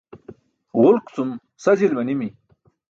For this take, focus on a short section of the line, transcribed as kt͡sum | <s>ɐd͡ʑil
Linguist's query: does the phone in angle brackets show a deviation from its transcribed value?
no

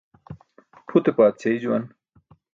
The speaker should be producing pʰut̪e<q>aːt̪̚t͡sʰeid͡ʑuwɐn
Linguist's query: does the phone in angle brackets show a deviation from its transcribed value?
yes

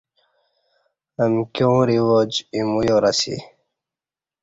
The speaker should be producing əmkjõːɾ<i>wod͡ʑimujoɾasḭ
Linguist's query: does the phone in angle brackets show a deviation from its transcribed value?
no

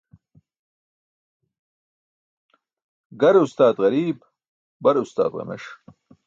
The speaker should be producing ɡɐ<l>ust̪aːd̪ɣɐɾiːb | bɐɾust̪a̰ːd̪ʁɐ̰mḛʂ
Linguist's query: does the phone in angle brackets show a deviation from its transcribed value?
yes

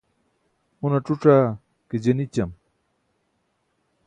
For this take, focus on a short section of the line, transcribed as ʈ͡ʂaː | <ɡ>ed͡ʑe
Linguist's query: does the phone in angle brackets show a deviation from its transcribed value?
yes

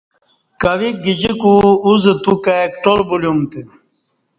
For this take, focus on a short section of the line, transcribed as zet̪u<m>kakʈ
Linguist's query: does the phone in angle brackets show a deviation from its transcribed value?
yes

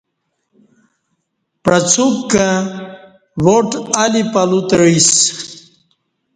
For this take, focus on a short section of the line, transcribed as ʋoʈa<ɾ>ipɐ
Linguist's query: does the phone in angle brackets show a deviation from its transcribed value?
yes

